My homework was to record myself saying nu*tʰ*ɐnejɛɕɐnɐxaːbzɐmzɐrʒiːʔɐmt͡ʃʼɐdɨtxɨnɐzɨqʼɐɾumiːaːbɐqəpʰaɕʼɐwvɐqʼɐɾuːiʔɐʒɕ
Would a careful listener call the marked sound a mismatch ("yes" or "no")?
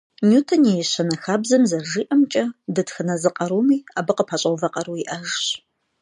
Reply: no